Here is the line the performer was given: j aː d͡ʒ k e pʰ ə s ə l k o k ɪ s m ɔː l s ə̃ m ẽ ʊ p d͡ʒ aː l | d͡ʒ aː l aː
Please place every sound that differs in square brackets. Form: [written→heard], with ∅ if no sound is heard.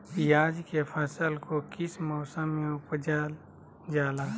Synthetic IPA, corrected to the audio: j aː d͡ʒ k e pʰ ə s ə l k o k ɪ s m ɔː [l→∅] s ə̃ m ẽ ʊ p d͡ʒ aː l | d͡ʒ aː l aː